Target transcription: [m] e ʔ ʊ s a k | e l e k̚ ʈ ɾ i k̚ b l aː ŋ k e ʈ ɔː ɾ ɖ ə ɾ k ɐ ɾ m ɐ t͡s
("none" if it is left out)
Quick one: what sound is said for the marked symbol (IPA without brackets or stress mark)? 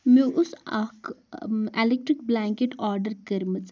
m